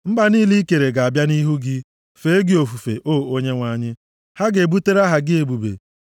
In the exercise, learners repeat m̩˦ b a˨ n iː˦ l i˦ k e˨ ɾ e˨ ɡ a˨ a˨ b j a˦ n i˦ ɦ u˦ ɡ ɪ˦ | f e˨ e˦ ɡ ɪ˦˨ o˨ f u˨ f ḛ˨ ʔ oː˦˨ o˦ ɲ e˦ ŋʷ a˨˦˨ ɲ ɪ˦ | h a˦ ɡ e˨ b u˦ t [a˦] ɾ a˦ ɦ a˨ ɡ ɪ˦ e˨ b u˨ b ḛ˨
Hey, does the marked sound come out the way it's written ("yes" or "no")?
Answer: no